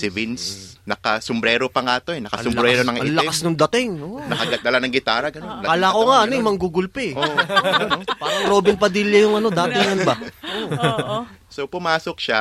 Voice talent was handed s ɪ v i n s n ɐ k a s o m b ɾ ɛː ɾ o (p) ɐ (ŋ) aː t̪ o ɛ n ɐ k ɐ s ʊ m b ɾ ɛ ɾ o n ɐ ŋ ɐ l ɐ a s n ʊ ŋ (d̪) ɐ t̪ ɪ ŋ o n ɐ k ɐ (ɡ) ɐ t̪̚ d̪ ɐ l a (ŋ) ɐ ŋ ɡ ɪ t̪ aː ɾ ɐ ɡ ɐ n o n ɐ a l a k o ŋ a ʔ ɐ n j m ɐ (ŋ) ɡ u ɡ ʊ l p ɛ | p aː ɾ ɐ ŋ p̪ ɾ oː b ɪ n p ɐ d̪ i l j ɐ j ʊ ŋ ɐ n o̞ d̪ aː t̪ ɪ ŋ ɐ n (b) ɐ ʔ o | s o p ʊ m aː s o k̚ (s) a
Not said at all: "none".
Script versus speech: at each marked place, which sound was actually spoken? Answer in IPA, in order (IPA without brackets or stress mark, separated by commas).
p, ŋ, d̪, ɡ, n, ŋ, b, ʃ